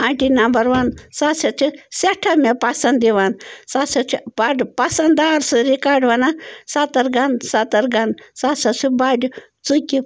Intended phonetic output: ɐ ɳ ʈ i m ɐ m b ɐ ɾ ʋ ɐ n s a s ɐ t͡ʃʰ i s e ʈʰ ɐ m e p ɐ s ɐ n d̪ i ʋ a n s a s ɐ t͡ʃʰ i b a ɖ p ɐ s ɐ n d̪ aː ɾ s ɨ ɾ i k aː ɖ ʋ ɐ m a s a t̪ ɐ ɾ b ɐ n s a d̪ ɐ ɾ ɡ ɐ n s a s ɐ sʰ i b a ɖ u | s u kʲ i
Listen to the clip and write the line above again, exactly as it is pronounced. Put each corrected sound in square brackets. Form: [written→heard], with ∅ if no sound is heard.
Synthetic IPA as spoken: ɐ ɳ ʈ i [m→n] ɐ m b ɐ ɾ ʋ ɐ n s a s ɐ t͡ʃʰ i s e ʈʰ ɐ m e p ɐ s ɐ n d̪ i ʋ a n s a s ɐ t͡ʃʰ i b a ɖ p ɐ s ɐ n d̪ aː ɾ s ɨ ɾ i k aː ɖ ʋ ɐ [m→n] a s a t̪ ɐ ɾ [b→ɡ] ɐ n s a [d̪→t̪] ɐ ɾ ɡ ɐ n s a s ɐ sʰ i b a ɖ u | [s→t͡s] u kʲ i